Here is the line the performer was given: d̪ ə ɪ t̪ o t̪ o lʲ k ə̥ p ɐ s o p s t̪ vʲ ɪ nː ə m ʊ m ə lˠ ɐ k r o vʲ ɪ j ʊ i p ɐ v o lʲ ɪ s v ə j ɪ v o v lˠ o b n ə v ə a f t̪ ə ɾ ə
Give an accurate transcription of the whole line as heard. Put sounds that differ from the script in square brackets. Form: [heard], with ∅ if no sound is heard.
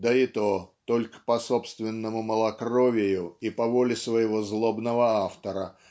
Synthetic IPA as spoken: d̪ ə ɪ t̪ o t̪ o lʲ k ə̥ p ɐ s o p s t̪ vʲ ɪ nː ə m ʊ m ə lˠ ɐ k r o vʲ ɪ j ʊ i p ɐ v o lʲ ɪ s v ə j ɪ v o [z] lˠ o b n ə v ə a f t̪ ə ɾ ə